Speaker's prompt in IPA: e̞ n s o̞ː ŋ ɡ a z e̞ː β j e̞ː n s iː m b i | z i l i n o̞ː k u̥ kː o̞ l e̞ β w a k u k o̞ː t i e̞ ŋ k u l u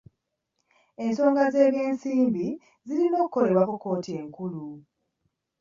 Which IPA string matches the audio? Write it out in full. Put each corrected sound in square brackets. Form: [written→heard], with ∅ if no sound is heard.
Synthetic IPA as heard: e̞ n s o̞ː ŋ ɡ a z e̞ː β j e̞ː n s iː m b i | z i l i n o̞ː k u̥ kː o̞ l e̞ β w a k u k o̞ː t i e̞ ŋ k u l u